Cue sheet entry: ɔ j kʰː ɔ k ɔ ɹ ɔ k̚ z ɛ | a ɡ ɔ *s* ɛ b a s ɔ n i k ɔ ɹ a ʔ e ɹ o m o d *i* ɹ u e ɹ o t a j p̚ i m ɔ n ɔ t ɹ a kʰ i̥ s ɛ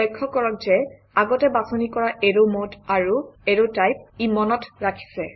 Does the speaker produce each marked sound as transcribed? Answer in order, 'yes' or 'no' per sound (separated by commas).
no, no